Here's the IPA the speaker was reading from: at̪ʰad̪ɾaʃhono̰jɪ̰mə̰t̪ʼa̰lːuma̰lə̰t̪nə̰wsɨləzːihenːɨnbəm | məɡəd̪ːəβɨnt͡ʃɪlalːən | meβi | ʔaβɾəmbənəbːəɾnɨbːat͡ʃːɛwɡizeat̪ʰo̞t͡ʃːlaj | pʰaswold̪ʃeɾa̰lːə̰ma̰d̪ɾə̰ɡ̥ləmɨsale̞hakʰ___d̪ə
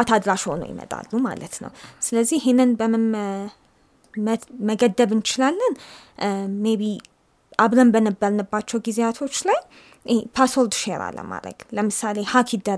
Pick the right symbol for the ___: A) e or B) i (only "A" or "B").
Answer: B